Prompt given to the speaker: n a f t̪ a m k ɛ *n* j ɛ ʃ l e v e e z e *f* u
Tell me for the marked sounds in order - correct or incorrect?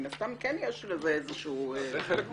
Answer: correct, incorrect: ʃ

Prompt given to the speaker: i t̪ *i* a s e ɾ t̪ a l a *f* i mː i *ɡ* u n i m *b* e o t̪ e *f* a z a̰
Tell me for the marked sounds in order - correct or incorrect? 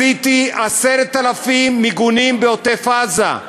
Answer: correct, correct, correct, correct, correct

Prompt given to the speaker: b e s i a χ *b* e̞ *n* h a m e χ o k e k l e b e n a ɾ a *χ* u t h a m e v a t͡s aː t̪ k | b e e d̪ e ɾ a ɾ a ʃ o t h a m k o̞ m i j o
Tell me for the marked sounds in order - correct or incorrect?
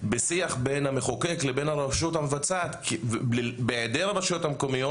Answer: correct, correct, incorrect: ʃ

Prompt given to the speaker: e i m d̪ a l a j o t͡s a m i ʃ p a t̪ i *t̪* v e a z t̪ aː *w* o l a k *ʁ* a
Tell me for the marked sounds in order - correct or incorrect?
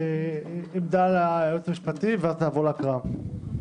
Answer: incorrect: none, incorrect: v, correct

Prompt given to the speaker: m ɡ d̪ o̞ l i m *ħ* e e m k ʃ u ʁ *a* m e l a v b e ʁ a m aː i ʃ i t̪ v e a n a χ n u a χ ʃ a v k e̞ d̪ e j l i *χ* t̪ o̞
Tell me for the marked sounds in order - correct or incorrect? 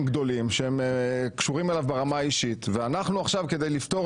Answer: incorrect: ʃ, incorrect: i, incorrect: f

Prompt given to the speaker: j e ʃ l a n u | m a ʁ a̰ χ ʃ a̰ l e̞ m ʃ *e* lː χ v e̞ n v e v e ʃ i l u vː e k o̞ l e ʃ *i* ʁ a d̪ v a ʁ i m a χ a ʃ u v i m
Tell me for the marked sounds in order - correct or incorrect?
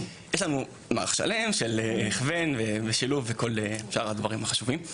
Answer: correct, incorrect: a

